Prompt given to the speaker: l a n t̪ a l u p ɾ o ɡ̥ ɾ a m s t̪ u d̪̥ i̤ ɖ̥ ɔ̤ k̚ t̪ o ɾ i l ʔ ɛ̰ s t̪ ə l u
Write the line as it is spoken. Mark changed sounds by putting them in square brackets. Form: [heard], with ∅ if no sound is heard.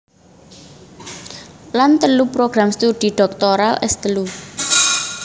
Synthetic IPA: l a n t̪ [ə] l u p ɾ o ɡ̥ ɾ a m s t̪ u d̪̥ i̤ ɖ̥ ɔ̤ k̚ t̪ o ɾ [a] l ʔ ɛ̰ s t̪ ə l u